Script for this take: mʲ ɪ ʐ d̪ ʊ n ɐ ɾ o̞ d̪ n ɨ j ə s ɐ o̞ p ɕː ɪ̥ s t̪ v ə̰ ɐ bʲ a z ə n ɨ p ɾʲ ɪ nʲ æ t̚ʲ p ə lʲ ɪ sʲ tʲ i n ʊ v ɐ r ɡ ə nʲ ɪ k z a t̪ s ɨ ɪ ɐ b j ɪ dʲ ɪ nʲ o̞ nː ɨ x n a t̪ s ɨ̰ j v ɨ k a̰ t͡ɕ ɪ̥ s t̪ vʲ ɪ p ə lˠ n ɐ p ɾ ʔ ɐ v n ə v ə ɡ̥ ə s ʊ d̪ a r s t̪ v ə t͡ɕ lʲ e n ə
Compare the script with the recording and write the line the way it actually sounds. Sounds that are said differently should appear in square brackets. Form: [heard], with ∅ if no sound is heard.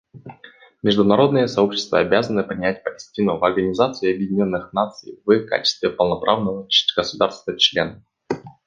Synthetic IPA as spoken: mʲ ɪ ʐ d̪ ʊ n ɐ ɾ o̞ d̪ n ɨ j ə s ɐ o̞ p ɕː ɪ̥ s t̪ v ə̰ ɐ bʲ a z ə n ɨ p ɾʲ ɪ nʲ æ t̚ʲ p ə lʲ ɪ sʲ tʲ i n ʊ v ɐ r ɡ ə nʲ ɪ [∅] z a t̪ s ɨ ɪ ɐ b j ɪ dʲ ɪ nʲ o̞ nː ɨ x n a t̪ s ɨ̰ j v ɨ k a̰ t͡ɕ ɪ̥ s t̪ vʲ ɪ p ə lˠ n ɐ p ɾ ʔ [a] v n ə v ə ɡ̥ ə s ʊ d̪ a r s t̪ v ə t͡ɕ lʲ e n ə

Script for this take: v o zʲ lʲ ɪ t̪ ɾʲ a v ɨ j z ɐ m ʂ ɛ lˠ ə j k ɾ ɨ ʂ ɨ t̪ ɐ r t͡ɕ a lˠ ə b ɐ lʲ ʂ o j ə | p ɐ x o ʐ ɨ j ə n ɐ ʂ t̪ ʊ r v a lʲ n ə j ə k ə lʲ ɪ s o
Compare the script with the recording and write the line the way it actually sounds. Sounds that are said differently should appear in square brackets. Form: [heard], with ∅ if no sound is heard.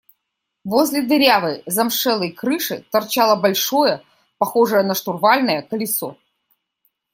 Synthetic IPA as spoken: v o zʲ lʲ ɪ [d̪] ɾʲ a v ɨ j z ɐ m ʂ ɛ lˠ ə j k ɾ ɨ ʂ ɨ t̪ ɐ r t͡ɕ a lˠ ə b ɐ lʲ ʂ o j ə | p ɐ x o ʐ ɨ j ə n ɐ ʂ t̪ ʊ r v a lʲ n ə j ə k ə lʲ ɪ s o

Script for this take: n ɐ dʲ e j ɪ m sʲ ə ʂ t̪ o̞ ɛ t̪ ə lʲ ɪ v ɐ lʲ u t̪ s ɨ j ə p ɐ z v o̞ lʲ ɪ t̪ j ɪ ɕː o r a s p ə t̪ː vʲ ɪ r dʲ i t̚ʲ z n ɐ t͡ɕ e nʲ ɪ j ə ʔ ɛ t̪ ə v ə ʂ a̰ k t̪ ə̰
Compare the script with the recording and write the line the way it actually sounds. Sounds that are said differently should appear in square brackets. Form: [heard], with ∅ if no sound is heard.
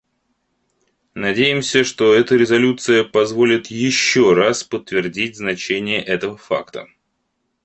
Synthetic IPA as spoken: n ɐ dʲ e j ɪ m sʲ ə ʂ t̪ o̞ ɛ t̪ ə [ɾʲ] ɪ [z] ɐ lʲ u t̪ s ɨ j ə p ɐ z v o̞ lʲ ɪ t̪ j ɪ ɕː o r a s p ə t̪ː vʲ ɪ r dʲ i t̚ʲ z n ɐ t͡ɕ e nʲ ɪ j ə ʔ ɛ t̪ ə v ə [f] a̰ k t̪ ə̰

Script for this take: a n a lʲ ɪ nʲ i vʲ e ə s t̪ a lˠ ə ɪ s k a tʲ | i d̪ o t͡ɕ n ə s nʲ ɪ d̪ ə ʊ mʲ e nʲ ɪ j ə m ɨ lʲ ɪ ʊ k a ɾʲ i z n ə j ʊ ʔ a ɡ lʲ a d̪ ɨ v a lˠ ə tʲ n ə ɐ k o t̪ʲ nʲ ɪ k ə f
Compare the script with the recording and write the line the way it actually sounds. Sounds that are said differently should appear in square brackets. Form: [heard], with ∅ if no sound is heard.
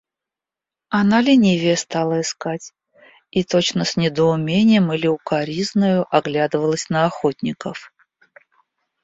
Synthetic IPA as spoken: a n a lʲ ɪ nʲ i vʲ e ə s t̪ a lˠ ə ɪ s k a tʲ | i [t̪] o t͡ɕ n ə s nʲ ɪ d̪ ə ʊ mʲ e nʲ ɪ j ə m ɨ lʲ ɪ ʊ k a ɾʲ i z n ə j ʊ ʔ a ɡ lʲ a d̪ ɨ v [ə] lˠ ə [sʲ] n ə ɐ [x] o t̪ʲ nʲ ɪ k ə f

